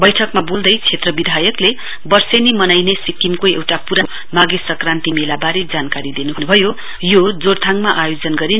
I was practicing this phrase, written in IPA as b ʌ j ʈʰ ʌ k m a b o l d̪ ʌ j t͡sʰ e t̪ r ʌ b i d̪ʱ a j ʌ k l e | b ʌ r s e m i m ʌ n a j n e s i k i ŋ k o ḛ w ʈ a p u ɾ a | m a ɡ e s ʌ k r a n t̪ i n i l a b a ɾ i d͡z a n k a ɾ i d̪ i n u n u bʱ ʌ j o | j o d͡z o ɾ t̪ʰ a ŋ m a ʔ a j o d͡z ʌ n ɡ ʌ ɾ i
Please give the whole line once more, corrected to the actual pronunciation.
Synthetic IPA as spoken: b ʌ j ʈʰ ʌ k m a b o l d̪ ʌ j t͡sʰ e t̪ r ʌ b i d̪ʱ a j ʌ k l e | b ʌ r s e n i m ʌ n a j n e s i k i m k o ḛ w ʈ a p u ɾ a | m a ɡ e s ʌ k r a n t̪ i m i l a b a ɾ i d͡z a n k a ɾ i d̪ i n u n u bʱ ʌ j o | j o d͡z o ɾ t̪ʰ a ŋ m a ʔ a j o d͡z ʌ n ɡ ʌ ɾ i

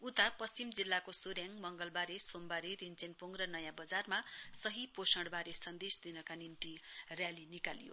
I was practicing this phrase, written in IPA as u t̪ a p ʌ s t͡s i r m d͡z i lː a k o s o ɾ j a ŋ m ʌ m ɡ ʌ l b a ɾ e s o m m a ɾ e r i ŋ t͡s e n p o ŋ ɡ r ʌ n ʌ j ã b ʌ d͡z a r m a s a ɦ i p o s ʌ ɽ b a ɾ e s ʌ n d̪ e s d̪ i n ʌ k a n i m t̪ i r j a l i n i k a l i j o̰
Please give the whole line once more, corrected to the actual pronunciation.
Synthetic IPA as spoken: u t̪ a p ʌ s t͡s i m d͡z i lː a k o s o ɾ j a ŋ m ʌ ŋ ɡ ʌ l b a ɾ e s o m b a ɾ e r i n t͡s e n p o ŋ ɡ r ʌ n ʌ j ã b ʌ d͡z a r m a s ʌ ɦ i p o s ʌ ɽ b a ɾ e s ʌ n d̪ e s d̪ i n ʌ k a n i m t̪ i r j a l i n i k a l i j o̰

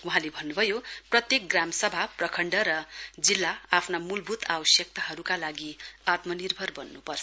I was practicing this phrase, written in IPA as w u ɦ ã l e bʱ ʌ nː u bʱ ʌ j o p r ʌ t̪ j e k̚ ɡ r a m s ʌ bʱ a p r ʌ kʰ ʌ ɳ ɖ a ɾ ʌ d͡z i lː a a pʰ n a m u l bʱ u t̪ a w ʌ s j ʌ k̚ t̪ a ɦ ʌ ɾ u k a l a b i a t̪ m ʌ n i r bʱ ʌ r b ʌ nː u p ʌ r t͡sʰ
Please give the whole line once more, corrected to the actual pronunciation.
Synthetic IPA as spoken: w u ɦ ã l e bʱ ʌ nː u bʱ ʌ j o p r ʌ t̪ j e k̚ ɡ r a m s ʌ bʱ a p r ʌ kʰ ʌ ɳ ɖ ʌ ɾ ʌ d͡z i lː a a pʰ n a m u l bʱ u t̪ a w ʌ s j ʌ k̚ t̪ a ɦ ʌ ɾ u k a l a ɡ i a t̪ m ʌ n i r bʱ ʌ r b ʌ nː u p ʌ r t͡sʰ

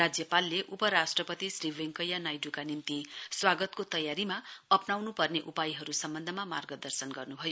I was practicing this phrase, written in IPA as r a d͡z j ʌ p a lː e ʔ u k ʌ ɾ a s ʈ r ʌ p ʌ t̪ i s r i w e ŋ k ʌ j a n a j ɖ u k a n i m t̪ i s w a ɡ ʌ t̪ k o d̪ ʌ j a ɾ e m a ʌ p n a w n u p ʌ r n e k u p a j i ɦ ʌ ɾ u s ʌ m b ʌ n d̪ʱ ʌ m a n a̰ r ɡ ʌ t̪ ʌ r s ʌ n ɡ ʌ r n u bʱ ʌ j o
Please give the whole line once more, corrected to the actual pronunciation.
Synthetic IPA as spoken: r a d͡z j ʌ p a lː e ʔ u p ʌ ɾ a s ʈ r ʌ p ʌ t̪ i s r i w e ŋ k ʌ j a n a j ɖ u k a n i m t̪ i s w a ɡ ʌ t̪ k o t̪ ʌ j a ɾ i m a ʌ p n a w n u p ʌ r n e ʔ u p a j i ɦ ʌ ɾ u s ʌ m b ʌ n d̪ʱ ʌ m a m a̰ r ɡ ʌ d̪ ʌ r s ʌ n ɡ ʌ r n u bʱ ʌ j o

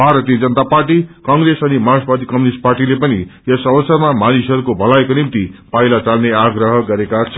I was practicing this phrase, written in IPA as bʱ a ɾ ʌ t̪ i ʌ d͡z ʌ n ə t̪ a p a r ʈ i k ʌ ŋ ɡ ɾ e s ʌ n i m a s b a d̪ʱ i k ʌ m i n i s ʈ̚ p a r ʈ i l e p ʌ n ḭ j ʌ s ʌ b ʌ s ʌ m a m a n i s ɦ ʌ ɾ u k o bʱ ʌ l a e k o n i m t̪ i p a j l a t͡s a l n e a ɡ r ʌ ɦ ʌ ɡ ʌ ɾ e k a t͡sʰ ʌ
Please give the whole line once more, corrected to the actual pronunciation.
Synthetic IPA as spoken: bʱ a ɾ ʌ t̪ i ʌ d͡z ʌ n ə t̪ a p a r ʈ i k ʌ ŋ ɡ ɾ e s ʌ n i m a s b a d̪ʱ i k ʌ m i n i s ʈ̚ p a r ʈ i l e p ʌ n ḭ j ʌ s ʌ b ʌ s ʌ m a m a n i s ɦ ʌ ɾ u k o bʱ ʌ l a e k o n i m t̪ i p a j l a t͡s a l n e a ɡ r ʌ ɦ ʌ ɡ ʌ ɾ e k a t͡sʰ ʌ

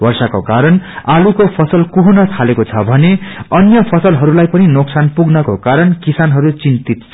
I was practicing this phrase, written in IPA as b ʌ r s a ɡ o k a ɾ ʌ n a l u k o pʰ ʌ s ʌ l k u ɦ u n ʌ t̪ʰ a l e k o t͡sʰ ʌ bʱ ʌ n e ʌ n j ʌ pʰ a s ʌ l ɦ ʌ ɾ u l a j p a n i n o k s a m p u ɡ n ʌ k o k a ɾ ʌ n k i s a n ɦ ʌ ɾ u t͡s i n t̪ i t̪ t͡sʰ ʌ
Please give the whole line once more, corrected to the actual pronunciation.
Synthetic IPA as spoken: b ʌ r s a k o k a ɾ ʌ n a l u k o pʰ ʌ s ʌ l k u ɦ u n ʌ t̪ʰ a l e k o t͡sʰ ʌ bʱ ʌ n e ʌ n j ʌ pʰ ʌ s ʌ l ɦ ʌ ɾ u l a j p ʌ n i n o k s a n p u ɡ n ʌ k o k a ɾ ʌ n k i s a n ɦ ʌ ɾ u t͡s i n t̪ i t̪ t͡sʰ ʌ

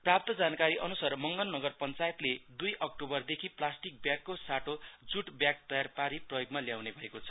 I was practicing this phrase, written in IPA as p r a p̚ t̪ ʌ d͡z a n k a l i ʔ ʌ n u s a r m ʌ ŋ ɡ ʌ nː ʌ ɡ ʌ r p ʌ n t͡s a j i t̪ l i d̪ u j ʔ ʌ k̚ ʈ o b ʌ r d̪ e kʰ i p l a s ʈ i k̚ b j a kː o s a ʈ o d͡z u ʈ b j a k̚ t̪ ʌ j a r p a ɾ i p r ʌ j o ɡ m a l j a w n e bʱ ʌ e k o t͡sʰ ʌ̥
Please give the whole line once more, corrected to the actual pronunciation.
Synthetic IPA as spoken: p r a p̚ t̪ ʌ d͡z a n k a ɾ i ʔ ʌ n u s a r m ʌ ŋ ɡ ʌ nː ʌ ɡ ʌ r p ʌ n t͡s a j e t̪ l e d̪ u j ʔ ʌ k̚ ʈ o b ʌ r d̪ e kʰ i p l a s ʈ i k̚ b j a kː o s a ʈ o d͡z u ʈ b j a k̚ t̪ ʌ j a r p a ɾ i p r ʌ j o ɡ m a l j a w n e bʱ ʌ e k o t͡sʰ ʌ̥

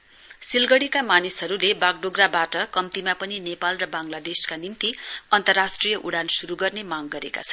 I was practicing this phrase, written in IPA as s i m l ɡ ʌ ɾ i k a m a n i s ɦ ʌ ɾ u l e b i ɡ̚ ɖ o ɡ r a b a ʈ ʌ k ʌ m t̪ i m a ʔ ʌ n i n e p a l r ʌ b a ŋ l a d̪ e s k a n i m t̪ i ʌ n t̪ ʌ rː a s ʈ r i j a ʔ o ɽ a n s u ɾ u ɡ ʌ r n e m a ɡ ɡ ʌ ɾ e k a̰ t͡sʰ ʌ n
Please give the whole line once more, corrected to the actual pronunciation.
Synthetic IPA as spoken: s i l ɡ ʌ ɽ i k a m a n i s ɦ ʌ ɾ u l e b a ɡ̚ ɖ o ɡ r a b a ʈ ʌ k ʌ m t̪ i m a p ʌ n i n e p a l r ʌ b a ŋ l a d̪ e s k a n i m t̪ i ʌ n t̪ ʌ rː a s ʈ r i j ʌ ʔ u ɽ a n s u ɾ u ɡ ʌ r n e m a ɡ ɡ ʌ ɾ e k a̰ t͡sʰ ʌ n

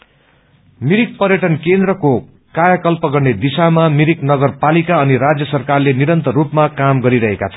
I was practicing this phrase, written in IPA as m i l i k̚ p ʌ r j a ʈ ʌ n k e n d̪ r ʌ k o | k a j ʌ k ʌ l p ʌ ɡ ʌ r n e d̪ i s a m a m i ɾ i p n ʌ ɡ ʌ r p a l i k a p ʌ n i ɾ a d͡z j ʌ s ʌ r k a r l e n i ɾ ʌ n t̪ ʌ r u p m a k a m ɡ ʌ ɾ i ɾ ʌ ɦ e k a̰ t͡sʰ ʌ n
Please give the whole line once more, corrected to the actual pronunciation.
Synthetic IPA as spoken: m i ɾ i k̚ p ʌ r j ʌ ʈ ʌ n k e n d̪ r ʌ k o | k a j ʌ k ʌ l p ʌ ɡ ʌ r n e d̪ i s a m a m i ɾ i k n ʌ ɡ ʌ r p a l i k a ʌ n i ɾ a d͡z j ʌ s ʌ r k a r l e n i ɾ ʌ n t̪ ʌ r u p m a k a m ɡ ʌ ɾ i ɾ ʌ ɦ e k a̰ t͡sʰ ʌ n

